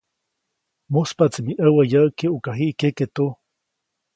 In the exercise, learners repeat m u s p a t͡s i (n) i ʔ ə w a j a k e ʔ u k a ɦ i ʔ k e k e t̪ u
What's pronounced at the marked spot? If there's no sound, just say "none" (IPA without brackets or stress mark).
m